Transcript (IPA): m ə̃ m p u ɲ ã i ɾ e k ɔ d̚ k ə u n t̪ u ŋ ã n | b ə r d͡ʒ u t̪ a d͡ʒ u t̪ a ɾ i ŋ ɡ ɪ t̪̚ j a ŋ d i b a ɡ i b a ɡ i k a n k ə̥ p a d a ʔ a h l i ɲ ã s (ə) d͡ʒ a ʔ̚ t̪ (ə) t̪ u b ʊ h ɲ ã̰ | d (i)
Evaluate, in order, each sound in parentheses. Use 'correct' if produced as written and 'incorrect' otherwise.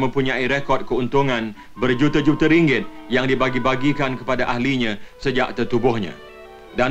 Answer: correct, correct, incorrect

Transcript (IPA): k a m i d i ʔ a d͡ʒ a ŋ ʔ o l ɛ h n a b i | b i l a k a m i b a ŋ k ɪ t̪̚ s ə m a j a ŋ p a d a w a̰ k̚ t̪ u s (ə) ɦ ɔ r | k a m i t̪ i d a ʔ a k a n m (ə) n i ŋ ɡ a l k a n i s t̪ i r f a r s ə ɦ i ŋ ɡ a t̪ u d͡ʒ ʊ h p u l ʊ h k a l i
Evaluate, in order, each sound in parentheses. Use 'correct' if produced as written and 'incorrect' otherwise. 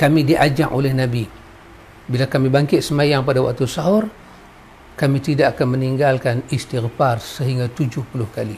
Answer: incorrect, correct

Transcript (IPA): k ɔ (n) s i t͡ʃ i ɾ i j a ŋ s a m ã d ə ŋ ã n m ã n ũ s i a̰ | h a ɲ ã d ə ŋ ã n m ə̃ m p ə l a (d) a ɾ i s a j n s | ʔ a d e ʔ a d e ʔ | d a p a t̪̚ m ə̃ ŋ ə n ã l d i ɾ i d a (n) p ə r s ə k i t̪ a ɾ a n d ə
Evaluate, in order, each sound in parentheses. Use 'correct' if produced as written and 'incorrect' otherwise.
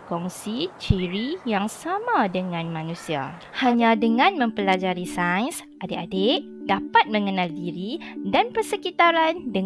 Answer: incorrect, incorrect, correct

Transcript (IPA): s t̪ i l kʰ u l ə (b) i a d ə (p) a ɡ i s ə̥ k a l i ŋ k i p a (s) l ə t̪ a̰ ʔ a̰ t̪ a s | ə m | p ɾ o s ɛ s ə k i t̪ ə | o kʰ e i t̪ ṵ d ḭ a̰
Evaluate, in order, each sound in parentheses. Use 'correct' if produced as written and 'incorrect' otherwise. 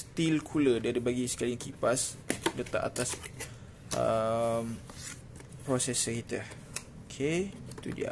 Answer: incorrect, incorrect, correct

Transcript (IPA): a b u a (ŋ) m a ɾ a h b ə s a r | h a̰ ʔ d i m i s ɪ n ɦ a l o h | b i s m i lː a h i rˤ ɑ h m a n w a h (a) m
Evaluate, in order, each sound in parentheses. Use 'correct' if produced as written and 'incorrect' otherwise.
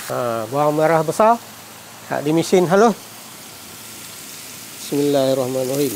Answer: correct, incorrect

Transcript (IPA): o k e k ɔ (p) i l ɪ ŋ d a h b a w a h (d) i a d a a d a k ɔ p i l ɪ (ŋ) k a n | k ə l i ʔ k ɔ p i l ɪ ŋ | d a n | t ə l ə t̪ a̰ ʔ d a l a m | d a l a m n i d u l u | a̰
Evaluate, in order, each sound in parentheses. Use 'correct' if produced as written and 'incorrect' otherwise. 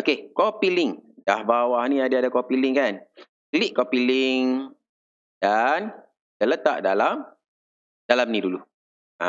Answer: correct, incorrect, correct

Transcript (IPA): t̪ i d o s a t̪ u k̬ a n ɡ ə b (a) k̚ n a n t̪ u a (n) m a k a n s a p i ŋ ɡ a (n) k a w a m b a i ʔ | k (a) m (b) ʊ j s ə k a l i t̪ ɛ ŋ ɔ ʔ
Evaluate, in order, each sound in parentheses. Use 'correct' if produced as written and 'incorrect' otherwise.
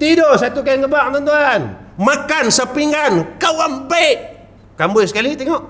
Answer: correct, correct, correct, correct, correct

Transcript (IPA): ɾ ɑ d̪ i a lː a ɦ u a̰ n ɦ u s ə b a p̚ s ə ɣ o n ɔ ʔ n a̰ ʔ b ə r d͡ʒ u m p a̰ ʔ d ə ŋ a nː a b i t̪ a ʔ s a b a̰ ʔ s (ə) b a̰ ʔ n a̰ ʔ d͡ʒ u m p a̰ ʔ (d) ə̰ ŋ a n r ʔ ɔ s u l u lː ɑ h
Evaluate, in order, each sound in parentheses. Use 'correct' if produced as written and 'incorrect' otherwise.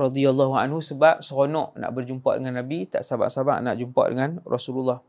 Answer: incorrect, correct

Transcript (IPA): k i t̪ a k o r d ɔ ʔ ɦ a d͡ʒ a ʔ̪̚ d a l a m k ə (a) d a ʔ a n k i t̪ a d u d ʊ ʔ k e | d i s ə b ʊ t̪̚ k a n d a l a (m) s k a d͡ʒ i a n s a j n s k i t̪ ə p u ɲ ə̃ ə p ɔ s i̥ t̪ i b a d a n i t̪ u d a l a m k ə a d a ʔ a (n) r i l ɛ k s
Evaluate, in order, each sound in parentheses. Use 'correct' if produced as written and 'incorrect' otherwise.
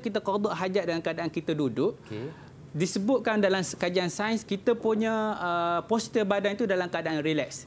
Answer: correct, correct, correct

